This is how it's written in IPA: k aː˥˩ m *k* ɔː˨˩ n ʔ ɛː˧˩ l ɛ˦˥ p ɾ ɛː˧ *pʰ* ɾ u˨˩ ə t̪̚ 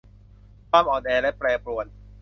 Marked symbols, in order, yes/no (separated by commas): no, no